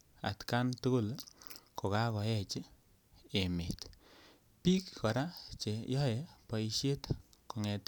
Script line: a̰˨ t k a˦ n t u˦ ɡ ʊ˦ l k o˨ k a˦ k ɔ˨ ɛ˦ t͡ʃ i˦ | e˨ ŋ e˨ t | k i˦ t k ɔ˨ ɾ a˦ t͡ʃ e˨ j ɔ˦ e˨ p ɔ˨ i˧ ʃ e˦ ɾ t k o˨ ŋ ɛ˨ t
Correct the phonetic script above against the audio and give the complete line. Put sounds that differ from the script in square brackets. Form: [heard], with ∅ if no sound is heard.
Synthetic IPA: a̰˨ t k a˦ n t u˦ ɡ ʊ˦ l k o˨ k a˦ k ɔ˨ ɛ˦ t͡ʃ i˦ | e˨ [m] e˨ t | [p] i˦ [k] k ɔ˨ ɾ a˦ t͡ʃ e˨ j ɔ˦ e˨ p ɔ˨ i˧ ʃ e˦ [∅] t k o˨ ŋ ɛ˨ t